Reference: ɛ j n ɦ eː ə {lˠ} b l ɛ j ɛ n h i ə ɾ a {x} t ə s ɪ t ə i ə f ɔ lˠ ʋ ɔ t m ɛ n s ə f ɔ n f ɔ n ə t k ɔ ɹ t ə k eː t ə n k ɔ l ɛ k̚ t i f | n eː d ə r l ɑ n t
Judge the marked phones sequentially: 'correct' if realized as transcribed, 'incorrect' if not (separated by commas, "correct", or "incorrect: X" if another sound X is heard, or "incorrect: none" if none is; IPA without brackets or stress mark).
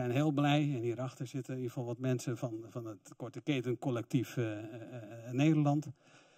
correct, correct